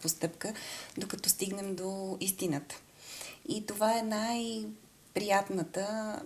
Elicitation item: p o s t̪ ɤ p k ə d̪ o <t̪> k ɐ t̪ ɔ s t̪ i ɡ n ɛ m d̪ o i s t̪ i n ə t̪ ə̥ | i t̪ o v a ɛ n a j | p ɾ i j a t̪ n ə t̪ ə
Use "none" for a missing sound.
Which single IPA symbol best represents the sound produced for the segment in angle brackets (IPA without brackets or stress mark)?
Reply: none